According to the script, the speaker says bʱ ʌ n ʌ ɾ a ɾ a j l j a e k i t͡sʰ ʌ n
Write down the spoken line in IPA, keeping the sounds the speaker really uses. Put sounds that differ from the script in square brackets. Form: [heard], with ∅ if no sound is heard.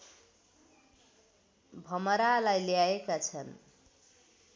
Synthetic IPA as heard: bʱ ʌ [m] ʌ ɾ a [l] a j l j a e k [a] t͡sʰ ʌ n